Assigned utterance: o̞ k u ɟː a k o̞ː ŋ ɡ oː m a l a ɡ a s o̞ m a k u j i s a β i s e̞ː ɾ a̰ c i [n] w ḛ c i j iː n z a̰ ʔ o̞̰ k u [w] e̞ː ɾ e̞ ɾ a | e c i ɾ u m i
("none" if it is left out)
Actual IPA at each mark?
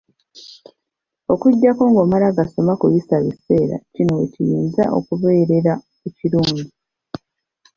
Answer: n, β

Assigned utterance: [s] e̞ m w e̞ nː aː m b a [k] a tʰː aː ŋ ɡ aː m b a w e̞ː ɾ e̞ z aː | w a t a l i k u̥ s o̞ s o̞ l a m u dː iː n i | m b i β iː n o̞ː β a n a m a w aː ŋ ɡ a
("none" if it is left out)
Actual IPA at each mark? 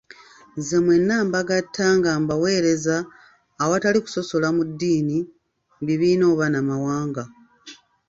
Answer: z, ɡ

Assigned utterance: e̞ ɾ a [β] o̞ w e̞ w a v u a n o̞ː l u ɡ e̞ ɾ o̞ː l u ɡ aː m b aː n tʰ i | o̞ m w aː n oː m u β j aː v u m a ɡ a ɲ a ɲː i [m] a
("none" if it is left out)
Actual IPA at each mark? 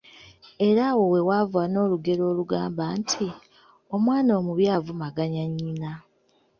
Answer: w, n

